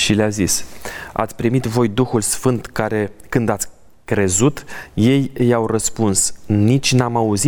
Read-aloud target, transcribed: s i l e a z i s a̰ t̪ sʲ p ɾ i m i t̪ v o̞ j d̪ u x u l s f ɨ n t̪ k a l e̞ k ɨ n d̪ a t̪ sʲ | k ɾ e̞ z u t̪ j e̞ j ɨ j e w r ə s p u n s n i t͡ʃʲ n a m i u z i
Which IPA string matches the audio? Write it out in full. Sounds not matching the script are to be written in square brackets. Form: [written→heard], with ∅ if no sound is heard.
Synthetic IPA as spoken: [s→ʃ] i l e a z i s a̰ t̪ sʲ p ɾ i m i t̪ v o̞ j d̪ u x u l s f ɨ n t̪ k a [l→ɾ] e̞ k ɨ n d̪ a t̪ sʲ | k ɾ e̞ z u t̪ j e̞ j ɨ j [e→a] w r ə s p u n s n i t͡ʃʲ n a m [i→a] u z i